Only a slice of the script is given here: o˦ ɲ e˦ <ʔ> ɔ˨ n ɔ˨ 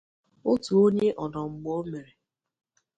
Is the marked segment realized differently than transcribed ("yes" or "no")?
no